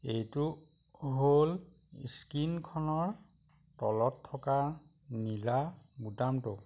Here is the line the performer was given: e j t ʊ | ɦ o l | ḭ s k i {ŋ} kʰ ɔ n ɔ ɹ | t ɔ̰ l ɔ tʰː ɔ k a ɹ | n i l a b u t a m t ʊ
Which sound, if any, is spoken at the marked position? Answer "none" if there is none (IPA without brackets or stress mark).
n